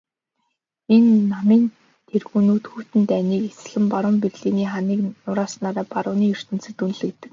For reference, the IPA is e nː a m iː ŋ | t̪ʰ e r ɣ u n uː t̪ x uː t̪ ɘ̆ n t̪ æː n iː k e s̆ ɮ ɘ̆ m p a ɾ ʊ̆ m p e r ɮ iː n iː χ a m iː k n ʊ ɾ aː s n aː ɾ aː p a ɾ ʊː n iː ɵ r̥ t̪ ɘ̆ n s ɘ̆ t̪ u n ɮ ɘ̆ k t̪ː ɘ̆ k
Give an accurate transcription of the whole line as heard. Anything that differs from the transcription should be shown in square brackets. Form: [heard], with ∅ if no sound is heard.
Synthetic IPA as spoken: e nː a m iː [n] | t̪ʰ e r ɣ u n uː t̪ x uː t̪ ɘ̆ n t̪ æː n iː k e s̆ ɮ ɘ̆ m p a ɾ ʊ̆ m p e r ɮ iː n iː χ a [n] iː k n ʊ ɾ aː s n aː ɾ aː p a ɾ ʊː n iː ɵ r̥ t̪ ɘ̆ n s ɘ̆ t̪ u n ɮ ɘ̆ k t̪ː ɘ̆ k